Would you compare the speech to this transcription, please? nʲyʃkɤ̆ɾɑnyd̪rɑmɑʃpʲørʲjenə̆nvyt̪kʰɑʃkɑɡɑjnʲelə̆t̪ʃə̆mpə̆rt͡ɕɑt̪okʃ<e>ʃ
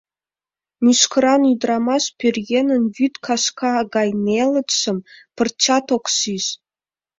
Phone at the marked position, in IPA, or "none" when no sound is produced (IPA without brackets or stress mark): i